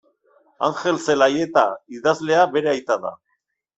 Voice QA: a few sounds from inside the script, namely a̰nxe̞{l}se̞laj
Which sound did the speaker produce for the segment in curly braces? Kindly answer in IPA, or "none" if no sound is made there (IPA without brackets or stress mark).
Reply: l